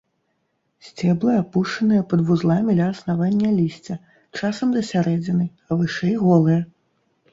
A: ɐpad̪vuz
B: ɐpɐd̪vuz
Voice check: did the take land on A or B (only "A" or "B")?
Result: B